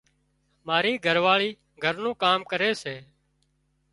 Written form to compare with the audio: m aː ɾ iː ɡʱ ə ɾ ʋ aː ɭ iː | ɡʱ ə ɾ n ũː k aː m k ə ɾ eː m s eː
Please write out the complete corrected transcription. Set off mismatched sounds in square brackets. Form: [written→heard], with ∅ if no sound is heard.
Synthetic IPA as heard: m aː ɾ iː ɡʱ ə ɾ ʋ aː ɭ iː | ɡʱ ə ɾ n ũː k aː m k ə ɾ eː [m→∅] s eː